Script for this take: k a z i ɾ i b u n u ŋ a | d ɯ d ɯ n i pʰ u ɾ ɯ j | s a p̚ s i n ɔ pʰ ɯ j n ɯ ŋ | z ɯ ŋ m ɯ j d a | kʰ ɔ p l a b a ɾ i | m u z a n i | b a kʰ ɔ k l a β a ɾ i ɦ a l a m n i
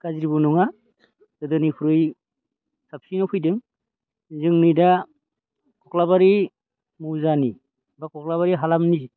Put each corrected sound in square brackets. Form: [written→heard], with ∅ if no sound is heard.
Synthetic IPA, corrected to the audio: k a z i ɾ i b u n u ŋ a | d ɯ d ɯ n i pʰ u ɾ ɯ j | s a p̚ s i n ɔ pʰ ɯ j [n→d] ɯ ŋ | z ɯ ŋ [m→n] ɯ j d a | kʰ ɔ [p→k] l a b a ɾ i | m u z a n i | b a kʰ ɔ k l a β a ɾ i ɦ a l a m n i